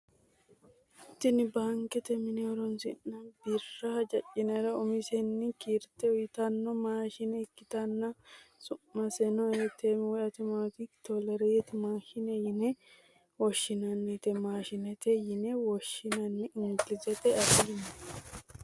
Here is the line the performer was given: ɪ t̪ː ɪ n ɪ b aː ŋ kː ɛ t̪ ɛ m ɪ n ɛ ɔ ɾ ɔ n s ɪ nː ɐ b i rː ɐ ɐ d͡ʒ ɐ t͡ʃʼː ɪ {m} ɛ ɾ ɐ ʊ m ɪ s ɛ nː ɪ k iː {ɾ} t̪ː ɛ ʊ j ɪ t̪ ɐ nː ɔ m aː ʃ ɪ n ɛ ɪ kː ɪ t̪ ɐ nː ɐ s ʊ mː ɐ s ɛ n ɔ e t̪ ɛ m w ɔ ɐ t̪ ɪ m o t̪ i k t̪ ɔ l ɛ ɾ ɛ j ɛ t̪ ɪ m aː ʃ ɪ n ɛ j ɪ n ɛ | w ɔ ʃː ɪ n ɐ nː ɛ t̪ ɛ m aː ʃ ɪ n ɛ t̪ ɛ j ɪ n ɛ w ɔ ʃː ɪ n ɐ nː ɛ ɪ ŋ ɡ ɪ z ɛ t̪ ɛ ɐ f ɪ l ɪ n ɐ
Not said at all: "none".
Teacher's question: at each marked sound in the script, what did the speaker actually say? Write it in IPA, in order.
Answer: n, ɾ

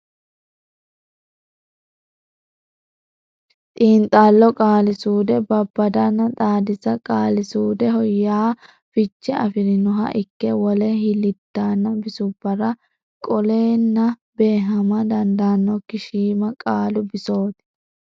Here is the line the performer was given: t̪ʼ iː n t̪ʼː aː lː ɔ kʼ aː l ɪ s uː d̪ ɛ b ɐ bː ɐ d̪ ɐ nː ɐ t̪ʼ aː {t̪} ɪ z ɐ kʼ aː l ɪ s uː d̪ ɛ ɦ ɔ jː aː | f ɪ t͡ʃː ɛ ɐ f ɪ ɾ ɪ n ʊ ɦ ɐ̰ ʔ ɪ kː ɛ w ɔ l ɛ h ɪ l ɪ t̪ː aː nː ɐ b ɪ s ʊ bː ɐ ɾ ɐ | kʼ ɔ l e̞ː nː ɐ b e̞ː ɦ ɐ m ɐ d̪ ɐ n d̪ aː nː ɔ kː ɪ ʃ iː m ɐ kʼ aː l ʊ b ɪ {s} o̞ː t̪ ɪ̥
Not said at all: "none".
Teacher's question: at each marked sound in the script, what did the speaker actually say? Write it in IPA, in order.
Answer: d̪, s

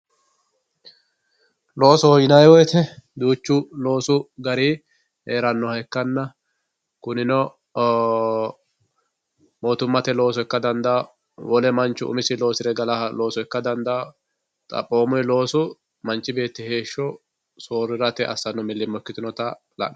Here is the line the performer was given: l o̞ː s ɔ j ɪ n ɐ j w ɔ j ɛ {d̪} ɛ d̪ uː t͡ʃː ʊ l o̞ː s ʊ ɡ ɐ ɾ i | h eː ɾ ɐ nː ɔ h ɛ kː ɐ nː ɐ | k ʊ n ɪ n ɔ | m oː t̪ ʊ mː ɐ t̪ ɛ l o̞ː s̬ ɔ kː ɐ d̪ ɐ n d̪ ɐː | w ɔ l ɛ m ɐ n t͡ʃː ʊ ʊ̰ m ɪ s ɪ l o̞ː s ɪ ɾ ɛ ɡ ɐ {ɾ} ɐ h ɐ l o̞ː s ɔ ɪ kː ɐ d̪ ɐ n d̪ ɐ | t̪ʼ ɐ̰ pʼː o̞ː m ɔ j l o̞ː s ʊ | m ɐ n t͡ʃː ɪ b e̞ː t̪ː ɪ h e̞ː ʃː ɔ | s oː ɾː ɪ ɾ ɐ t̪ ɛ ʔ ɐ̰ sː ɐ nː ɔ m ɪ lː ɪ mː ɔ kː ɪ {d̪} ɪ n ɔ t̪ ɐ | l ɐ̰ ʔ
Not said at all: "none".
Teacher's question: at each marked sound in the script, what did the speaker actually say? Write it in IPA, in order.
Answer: t̪, l, t̪

